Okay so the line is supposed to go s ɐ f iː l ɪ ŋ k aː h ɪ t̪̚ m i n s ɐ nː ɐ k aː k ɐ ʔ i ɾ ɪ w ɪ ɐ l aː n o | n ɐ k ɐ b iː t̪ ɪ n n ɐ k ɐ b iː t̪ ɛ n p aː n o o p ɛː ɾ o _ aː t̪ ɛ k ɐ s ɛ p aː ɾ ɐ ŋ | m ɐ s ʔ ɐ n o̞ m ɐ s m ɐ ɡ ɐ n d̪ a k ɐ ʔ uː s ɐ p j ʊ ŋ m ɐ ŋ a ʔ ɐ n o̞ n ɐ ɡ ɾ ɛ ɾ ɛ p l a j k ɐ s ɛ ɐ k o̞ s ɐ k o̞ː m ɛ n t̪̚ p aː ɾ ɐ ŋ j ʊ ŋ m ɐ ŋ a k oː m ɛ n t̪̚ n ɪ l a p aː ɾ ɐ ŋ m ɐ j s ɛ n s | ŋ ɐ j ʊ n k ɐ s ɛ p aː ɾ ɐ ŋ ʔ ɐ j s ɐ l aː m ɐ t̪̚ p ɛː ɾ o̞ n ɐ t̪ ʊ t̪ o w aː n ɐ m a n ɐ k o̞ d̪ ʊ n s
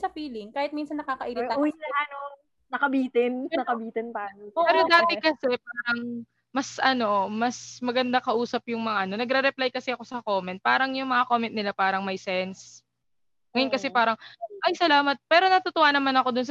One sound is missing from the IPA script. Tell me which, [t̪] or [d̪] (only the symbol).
d̪